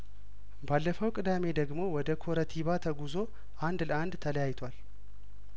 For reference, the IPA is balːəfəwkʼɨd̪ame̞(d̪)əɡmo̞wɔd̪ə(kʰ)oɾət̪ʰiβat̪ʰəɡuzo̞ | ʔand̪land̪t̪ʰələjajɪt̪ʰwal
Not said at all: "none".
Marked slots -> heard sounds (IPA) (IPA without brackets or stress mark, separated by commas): d̪, kʰ